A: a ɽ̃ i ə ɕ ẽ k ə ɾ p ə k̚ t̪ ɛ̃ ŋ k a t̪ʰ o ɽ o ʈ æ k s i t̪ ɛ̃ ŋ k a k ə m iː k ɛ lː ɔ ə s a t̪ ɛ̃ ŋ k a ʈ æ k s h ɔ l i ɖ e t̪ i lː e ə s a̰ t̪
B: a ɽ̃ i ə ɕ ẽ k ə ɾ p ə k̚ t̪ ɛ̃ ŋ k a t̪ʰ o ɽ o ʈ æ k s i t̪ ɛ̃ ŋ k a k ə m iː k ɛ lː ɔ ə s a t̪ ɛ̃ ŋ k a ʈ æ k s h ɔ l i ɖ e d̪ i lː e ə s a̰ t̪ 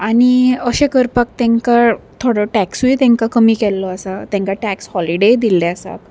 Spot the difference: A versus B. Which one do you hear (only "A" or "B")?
B